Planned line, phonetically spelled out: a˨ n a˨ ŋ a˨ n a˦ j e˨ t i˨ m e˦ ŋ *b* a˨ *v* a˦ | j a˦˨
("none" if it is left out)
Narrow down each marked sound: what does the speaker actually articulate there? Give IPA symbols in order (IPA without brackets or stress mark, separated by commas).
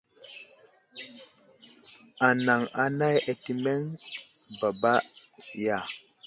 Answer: b, b